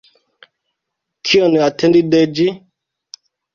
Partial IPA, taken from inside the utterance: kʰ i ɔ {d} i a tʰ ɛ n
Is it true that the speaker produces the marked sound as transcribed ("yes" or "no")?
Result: no